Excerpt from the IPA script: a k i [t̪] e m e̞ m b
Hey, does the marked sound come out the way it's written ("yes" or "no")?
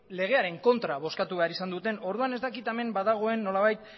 yes